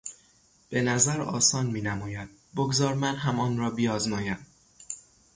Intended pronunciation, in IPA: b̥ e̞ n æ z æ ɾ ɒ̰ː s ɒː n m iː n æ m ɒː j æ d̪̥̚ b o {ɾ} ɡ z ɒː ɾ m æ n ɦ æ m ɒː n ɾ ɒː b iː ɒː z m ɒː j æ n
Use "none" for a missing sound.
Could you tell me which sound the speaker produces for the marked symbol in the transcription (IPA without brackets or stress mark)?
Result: none